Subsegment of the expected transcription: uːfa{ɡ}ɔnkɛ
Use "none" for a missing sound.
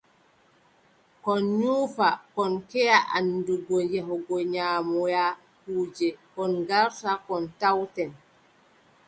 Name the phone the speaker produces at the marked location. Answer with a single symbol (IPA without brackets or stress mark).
k